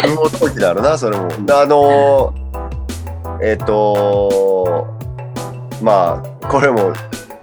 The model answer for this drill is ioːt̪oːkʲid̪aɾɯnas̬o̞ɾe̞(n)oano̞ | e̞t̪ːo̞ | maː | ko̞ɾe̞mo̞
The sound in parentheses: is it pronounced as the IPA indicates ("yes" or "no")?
no